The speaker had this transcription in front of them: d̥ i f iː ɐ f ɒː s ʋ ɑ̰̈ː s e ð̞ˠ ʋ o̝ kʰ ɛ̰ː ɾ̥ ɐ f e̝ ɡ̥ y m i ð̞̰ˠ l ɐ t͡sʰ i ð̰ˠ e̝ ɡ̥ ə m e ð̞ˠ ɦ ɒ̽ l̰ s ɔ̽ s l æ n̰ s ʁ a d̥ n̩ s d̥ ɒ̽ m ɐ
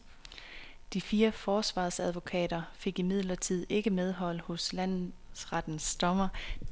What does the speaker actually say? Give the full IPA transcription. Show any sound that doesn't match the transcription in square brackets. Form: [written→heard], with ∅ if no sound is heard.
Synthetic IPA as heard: d̥ i f iː ɐ f ɒː s ʋ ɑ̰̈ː s [e→æ] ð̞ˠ ʋ o̝ kʰ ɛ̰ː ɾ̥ ɐ f e̝ ɡ̥ [y→i] m i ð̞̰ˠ l ɐ t͡sʰ i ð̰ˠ e̝ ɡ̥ ə m e ð̞ˠ ɦ ɒ̽ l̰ [s→h] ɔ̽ s l æ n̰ s ʁ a d̥ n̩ s d̥ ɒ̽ m ɐ

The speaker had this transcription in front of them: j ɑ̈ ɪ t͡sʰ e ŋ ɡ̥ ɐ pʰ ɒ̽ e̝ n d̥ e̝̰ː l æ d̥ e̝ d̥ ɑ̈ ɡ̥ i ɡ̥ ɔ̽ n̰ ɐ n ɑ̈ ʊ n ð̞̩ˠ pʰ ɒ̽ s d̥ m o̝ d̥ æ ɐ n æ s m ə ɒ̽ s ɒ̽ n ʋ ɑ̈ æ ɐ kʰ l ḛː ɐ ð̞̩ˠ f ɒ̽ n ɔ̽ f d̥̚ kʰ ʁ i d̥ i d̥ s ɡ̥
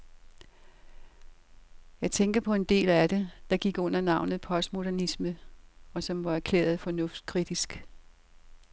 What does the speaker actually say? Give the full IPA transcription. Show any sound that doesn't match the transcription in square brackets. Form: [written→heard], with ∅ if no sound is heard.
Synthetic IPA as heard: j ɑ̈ ɪ t͡sʰ e ŋ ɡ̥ ɐ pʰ ɒ̽ e̝ n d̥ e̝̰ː l æ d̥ e̝ d̥ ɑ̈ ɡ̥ i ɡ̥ ɔ̽ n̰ ɐ n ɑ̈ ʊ n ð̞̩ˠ pʰ ɒ̽ s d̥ m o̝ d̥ æ ɐ n [æ→i] s m ə ɒ̽ s ɒ̽ [n→m] ʋ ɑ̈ æ ɐ kʰ l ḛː ɐ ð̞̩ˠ f ɒ̽ n ɔ̽ f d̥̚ kʰ ʁ i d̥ i [d̥→∅] s ɡ̥

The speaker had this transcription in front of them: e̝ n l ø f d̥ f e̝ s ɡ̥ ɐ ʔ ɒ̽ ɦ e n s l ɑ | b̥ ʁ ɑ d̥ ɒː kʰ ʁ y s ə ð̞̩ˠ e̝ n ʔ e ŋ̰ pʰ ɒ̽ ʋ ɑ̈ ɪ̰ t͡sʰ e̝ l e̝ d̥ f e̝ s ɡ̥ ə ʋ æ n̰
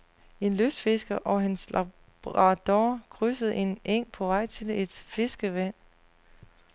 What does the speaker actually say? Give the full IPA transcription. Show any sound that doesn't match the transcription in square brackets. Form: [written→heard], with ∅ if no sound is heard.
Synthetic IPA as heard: e̝ n l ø [f→s] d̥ f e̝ s ɡ̥ ɐ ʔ ɒ̽ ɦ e n s l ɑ | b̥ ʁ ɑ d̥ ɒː kʰ ʁ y s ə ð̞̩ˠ e̝ n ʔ e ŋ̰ pʰ ɒ̽ ʋ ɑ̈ ɪ̰ t͡sʰ e̝ l e̝ d̥ f e̝ s ɡ̥ ə ʋ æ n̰

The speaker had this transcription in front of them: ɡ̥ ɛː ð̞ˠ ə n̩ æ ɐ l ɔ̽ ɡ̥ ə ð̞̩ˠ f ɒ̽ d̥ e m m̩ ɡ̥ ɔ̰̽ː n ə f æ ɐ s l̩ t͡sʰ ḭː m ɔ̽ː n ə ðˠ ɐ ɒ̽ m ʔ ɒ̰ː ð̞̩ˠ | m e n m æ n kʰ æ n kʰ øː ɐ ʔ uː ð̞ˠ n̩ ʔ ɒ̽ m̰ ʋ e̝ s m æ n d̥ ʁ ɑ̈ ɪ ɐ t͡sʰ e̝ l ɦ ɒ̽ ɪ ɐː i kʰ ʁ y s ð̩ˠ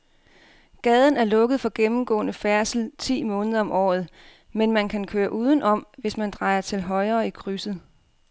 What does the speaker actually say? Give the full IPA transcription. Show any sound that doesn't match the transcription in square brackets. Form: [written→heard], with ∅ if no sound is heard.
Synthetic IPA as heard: ɡ̥ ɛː ð̞ˠ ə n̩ æ ɐ l ɔ̽ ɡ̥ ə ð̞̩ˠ f ɒ̽ [d̥→ɡ̥] e m m̩ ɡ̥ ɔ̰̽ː n ə f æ ɐ s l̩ t͡sʰ ḭː m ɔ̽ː n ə ðˠ ɐ ɒ̽ m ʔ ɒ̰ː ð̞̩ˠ | m e n m æ n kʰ æ n kʰ øː ɐ ʔ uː ð̞ˠ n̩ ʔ ɒ̽ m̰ ʋ e̝ s m æ n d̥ ʁ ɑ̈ ɪ ɐ t͡sʰ e̝ l ɦ ɒ̽ ɪ ɐː i kʰ ʁ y s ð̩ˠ

